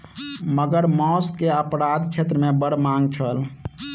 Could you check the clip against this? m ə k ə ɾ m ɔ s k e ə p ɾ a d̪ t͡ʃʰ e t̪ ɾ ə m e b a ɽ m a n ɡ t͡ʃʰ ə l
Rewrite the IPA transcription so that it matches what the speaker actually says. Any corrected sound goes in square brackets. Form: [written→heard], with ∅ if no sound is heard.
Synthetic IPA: m ə [k→ɡ] ə ɾ m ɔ s k e ə p ɾ a d̪ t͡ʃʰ e t̪ ɾ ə m e b [a→ə] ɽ m a [n→ŋ] ɡ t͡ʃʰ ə l